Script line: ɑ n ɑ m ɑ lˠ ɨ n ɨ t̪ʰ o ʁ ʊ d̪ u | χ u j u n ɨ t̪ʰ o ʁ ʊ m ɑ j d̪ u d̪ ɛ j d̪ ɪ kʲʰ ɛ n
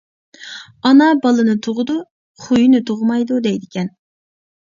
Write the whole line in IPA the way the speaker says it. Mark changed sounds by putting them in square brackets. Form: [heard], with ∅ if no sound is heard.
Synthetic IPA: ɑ n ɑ [b] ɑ lˠ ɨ n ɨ t̪ʰ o ʁ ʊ d̪ u | χ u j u n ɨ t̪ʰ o ʁ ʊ m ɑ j d̪ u d̪ ɛ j d̪ ɪ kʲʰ ɛ n